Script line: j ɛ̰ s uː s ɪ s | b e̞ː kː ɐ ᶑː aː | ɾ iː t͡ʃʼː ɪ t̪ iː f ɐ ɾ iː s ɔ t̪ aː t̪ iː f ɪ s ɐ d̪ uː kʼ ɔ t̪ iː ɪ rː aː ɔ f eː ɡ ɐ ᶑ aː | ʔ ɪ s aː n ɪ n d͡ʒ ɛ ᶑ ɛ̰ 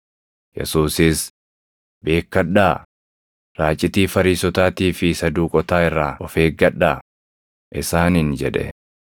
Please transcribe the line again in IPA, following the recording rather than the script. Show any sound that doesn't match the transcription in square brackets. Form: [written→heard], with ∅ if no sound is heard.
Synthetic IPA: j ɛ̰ s uː s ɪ s | b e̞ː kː ɐ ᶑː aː | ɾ [iː→aː] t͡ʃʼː ɪ t̪ iː f ɐ ɾ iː s ɔ t̪ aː t̪ iː f ɪ s ɐ d̪ uː kʼ ɔ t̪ [iː→aː] ɪ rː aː ɔ f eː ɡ ɐ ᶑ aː | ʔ ɪ s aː n ɪ n d͡ʒ ɛ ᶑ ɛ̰